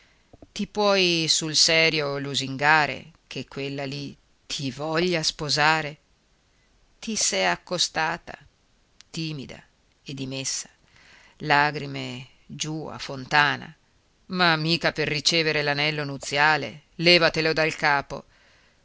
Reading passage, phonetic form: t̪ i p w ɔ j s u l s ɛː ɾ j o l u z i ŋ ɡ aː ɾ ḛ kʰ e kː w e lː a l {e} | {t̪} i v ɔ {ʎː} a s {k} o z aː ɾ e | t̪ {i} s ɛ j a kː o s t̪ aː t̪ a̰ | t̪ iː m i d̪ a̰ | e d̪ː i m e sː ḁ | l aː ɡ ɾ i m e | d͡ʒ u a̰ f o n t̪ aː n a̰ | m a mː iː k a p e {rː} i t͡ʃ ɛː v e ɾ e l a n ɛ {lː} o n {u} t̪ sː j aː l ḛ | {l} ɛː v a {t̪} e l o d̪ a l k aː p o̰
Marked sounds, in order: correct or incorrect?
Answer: incorrect, incorrect, correct, incorrect, correct, correct, correct, correct, correct, correct

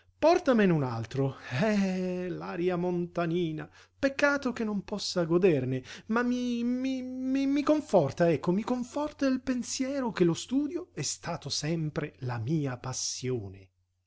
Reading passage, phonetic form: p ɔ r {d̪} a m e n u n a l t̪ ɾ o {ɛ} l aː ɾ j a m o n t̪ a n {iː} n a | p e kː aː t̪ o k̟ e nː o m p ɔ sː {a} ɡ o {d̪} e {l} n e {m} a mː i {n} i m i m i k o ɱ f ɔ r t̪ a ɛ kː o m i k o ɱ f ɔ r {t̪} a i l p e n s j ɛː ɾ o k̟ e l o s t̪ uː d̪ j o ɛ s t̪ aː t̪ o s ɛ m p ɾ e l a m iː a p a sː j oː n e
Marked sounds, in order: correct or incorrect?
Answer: incorrect, correct, correct, correct, correct, incorrect, correct, incorrect, correct

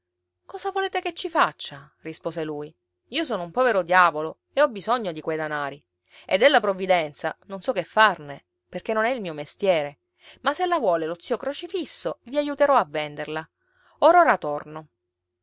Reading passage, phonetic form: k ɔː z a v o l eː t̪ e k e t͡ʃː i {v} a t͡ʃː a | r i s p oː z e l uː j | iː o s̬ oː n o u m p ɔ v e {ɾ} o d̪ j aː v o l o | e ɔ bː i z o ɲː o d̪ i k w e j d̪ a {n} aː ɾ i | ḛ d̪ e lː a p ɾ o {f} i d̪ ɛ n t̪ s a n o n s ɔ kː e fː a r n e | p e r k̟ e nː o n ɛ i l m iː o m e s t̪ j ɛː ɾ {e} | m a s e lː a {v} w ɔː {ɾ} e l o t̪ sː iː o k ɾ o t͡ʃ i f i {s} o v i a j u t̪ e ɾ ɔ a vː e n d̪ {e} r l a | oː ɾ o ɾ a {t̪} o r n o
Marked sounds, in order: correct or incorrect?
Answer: incorrect, correct, correct, incorrect, correct, correct, incorrect, incorrect, correct, correct

